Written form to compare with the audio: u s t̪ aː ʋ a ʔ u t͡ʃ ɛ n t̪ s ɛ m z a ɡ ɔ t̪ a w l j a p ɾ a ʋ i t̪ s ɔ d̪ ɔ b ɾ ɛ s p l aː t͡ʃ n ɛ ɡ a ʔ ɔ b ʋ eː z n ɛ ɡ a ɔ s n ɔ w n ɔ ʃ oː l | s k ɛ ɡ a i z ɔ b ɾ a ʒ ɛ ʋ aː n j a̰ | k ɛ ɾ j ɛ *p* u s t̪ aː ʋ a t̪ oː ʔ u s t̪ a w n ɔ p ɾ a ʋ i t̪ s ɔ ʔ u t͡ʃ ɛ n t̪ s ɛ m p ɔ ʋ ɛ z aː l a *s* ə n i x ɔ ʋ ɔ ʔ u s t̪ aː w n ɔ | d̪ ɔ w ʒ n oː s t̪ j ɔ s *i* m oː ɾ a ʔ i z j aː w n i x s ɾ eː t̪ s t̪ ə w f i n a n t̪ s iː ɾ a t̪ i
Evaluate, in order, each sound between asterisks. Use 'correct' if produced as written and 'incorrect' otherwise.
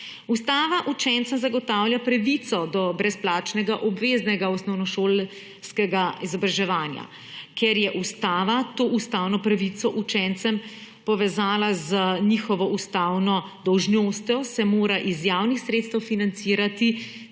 incorrect, incorrect, incorrect

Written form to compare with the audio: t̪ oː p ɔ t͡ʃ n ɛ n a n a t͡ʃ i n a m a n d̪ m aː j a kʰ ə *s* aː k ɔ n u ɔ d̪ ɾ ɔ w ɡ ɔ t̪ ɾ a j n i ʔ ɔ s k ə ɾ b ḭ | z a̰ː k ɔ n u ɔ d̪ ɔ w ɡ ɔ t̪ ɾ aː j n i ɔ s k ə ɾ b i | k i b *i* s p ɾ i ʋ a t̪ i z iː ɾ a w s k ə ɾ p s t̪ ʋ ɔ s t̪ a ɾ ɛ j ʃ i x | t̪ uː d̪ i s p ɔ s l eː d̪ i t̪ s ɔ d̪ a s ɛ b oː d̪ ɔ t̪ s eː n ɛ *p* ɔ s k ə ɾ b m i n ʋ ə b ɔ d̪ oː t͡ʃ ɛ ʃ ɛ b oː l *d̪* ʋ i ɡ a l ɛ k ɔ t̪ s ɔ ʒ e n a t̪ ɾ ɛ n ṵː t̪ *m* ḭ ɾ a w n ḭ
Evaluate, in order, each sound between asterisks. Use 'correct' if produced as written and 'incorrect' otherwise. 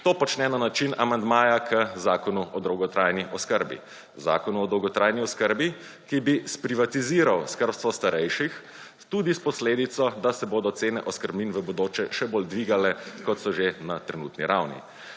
incorrect, correct, incorrect, correct, incorrect

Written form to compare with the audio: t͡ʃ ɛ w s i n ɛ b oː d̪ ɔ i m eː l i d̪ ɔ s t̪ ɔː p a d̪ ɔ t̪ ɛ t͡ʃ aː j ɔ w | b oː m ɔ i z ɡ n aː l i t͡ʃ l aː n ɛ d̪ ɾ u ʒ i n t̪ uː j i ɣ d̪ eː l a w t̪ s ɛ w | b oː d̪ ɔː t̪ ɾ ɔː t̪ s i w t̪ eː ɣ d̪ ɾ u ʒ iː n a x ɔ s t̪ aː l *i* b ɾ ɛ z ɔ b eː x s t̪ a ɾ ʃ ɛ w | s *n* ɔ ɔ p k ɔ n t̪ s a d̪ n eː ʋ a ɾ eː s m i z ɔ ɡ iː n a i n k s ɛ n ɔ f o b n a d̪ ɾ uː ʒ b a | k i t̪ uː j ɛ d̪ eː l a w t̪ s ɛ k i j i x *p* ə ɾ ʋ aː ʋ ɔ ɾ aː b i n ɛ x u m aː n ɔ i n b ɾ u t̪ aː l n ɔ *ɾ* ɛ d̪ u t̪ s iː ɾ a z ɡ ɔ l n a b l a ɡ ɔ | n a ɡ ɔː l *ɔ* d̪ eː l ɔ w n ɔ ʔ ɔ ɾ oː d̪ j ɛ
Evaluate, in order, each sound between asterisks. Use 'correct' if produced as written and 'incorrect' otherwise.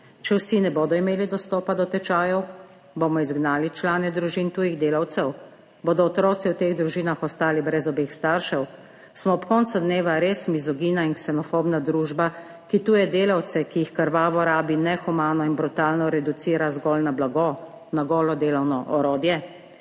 correct, incorrect, incorrect, correct, correct

